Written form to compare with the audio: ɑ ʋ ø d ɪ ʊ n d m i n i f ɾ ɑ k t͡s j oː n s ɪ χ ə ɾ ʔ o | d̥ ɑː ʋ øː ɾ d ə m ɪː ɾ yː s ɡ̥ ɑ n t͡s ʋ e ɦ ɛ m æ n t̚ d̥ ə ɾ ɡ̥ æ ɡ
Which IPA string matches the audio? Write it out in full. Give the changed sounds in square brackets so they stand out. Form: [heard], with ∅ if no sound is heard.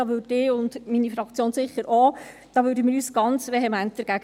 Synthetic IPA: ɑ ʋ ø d ɪ ʊ n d m i n i f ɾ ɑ k t͡s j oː n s ɪ χ ə ɾ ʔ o | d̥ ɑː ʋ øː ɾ d ə m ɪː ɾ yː s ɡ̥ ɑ n t͡s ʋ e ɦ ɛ m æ n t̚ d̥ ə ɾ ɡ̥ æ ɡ